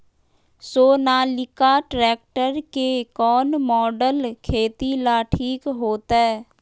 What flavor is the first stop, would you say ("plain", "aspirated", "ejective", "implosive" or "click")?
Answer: plain